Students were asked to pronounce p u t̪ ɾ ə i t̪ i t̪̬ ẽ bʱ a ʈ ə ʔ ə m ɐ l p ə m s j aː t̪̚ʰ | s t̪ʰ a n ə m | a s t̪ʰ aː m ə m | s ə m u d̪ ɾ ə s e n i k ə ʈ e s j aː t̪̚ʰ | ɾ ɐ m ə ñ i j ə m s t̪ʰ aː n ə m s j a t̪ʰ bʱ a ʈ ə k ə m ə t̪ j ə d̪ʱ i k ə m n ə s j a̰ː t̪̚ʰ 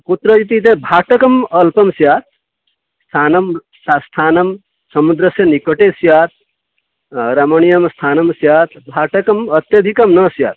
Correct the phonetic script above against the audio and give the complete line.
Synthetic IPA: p u t̪ ɾ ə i t̪ i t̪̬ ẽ bʱ a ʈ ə k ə m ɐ l p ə m s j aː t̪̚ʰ | s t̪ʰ a n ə m | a s t̪ʰ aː n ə m | s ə m u d̪ ɾ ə s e n i k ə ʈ e s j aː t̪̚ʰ | ɾ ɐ m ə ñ i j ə m s t̪ʰ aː n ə m s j a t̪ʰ bʱ a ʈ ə k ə m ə t̪ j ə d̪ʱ i k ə m n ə s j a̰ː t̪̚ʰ